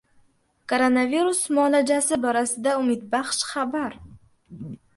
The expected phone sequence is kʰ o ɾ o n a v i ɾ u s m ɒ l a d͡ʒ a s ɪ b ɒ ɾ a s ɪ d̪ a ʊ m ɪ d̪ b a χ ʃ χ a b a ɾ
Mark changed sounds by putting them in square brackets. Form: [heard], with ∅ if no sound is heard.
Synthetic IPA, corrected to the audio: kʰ o ɾ o n a v i ɾ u s m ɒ l a d͡ʒ a s ɪ b ɒ ɾ a s ɪ d̪ a ʊ m ɪ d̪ b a χ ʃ χ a b a ɾ